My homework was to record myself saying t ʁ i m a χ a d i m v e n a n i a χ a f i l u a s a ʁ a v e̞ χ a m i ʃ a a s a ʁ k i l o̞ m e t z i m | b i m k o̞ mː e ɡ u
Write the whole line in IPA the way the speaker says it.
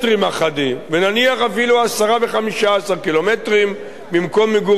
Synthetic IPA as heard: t ʁ i m a χ a d i m v e n a n i a χ a f i l u a s a ʁ a v e̞ χ a m i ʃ a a s a ʁ k i l o̞ m e t ʁ i m | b i m k o̞ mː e ɡ u